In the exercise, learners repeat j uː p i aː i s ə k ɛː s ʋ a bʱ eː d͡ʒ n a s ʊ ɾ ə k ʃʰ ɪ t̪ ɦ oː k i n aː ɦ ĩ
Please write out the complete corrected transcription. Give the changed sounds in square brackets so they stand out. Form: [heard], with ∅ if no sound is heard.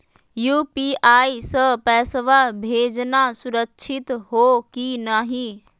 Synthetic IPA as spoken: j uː p i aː i s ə [p] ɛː s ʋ a bʱ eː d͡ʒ n a s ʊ ɾ ə k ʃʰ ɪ t̪ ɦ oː k i n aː ɦ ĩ